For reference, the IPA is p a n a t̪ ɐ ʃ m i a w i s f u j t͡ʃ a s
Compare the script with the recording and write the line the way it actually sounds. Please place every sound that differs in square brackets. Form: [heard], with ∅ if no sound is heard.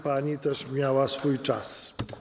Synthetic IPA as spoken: p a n [i] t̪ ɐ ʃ m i a w [a] s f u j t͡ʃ a s

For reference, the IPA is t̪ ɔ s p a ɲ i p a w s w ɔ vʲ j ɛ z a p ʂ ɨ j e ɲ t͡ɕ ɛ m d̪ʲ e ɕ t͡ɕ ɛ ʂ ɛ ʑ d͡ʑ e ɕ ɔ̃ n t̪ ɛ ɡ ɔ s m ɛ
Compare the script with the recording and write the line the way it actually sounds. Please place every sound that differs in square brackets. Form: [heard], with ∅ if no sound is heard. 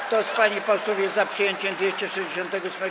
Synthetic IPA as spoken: t̪ ɔ s p a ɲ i p a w s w ɔ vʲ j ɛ z a p ʂ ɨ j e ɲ t͡ɕ ɛ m d̪ʲ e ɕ t͡ɕ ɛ ʂ ɛ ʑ d͡ʑ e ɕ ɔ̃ n t̪ ɛ ɡ ɔ s m ɛ

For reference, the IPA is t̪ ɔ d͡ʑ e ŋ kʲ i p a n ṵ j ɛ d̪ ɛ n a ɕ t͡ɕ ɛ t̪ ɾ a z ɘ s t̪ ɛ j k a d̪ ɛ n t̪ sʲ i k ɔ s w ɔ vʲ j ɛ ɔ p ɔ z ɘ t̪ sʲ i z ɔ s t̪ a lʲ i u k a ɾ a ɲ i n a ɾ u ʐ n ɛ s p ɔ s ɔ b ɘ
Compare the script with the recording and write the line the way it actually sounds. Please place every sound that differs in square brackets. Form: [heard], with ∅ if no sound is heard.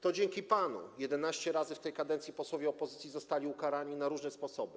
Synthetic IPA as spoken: t̪ ɔ d͡ʑ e ŋ kʲ i p a n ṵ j ɛ d̪ ɛ n a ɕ t͡ɕ ɛ [∅] ɾ a z ɘ [f] t̪ ɛ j k a d̪ ɛ n t̪ sʲ i [p] ɔ s w ɔ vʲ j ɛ ɔ p ɔ z ɘ t̪ sʲ i z ɔ s t̪ a lʲ i u k a ɾ a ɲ i n a ɾ u ʐ n ɛ s p ɔ s ɔ b ɘ

